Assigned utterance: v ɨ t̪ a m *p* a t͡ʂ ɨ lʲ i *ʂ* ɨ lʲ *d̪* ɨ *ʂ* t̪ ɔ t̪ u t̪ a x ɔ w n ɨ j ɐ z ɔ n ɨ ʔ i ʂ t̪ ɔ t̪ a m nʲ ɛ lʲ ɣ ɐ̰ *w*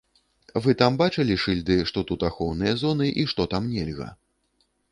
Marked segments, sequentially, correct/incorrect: incorrect, correct, correct, correct, incorrect

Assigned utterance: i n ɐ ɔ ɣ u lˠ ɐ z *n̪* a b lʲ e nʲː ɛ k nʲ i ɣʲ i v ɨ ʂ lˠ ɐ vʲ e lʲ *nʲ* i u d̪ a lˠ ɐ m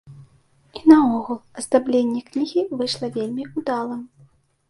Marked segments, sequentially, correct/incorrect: incorrect, incorrect

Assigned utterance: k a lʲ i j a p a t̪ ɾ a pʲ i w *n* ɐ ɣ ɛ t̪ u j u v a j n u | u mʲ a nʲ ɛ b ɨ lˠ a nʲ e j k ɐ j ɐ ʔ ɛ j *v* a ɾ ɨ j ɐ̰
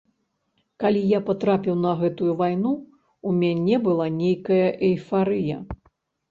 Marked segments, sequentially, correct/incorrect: correct, incorrect

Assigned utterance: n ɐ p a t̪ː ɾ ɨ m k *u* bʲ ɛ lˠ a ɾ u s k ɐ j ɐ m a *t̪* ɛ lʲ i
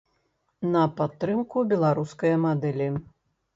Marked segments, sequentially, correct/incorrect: correct, incorrect

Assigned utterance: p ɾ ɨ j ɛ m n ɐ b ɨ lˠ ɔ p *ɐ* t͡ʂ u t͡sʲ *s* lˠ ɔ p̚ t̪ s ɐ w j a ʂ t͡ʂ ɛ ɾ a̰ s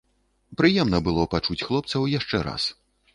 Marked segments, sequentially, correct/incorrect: incorrect, incorrect

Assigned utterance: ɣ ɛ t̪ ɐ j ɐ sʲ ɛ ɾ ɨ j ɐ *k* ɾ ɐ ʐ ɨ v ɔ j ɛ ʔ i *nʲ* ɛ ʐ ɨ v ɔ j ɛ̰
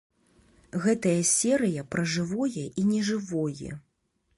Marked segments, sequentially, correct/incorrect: incorrect, correct

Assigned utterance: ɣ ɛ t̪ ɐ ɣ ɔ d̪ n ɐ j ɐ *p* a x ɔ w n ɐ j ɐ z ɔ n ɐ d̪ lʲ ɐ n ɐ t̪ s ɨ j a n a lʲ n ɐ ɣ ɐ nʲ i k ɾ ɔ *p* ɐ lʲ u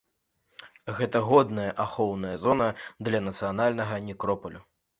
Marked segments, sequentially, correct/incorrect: incorrect, correct

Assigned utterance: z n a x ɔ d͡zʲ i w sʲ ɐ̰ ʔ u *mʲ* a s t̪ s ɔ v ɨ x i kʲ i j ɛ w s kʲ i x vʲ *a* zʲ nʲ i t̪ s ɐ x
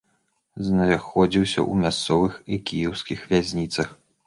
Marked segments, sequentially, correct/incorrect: correct, correct

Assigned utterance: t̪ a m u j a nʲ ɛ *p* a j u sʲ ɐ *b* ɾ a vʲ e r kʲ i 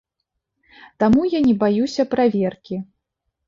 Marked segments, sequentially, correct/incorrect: incorrect, incorrect

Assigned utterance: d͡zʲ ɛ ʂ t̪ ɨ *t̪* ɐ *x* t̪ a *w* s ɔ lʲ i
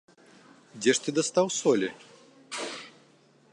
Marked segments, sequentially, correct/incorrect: incorrect, incorrect, correct

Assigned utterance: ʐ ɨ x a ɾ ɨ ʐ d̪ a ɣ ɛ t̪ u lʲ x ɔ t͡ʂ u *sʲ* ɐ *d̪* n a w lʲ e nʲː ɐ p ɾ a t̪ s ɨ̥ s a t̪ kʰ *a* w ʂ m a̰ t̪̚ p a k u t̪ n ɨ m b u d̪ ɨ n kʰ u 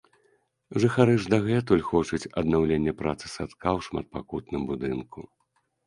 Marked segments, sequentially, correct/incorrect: incorrect, correct, correct

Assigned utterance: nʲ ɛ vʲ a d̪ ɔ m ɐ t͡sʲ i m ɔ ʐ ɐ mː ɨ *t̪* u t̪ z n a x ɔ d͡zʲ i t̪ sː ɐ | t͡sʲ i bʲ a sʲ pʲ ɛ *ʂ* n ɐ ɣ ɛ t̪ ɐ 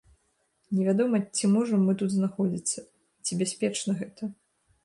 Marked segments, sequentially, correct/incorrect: correct, incorrect

